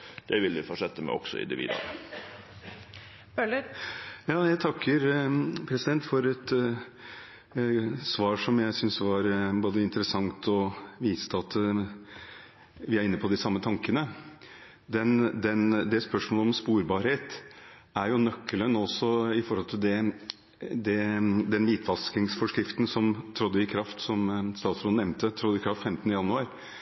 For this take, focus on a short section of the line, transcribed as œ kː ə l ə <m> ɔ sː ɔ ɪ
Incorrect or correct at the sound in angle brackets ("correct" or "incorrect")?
incorrect